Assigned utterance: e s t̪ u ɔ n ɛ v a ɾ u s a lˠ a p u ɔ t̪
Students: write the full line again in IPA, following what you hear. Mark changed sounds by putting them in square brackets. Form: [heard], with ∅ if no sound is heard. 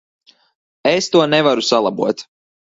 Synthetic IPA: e s t̪ u ɔ n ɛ v a ɾ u s a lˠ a [b] u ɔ t̪